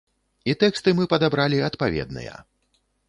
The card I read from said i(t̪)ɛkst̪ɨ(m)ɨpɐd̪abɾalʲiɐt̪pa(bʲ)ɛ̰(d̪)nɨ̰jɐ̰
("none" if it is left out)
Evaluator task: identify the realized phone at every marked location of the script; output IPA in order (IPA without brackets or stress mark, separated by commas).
t̪, m, vʲ, d̪